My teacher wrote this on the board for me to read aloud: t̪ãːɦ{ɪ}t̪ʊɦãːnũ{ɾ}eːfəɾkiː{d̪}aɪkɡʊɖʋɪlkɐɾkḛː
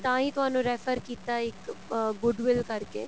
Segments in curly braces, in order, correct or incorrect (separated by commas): incorrect, correct, incorrect